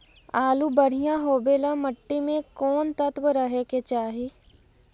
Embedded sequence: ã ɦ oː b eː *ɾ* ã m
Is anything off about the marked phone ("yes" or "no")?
yes